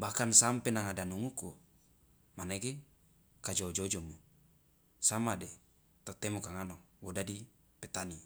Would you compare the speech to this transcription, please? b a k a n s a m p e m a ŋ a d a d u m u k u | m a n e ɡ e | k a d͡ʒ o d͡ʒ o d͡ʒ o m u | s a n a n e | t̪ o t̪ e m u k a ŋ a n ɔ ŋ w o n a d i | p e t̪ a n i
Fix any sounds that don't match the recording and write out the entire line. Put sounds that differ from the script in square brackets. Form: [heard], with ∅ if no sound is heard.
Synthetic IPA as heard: b a k a n s a m p e [n] a ŋ a d a [n] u [ŋ] u k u | m a n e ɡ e | k a d͡ʒ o d͡ʒ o d͡ʒ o m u | s a [m] a [d] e | t̪ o t̪ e m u k a ŋ a n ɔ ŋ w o [d] a d i | p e t̪ a n i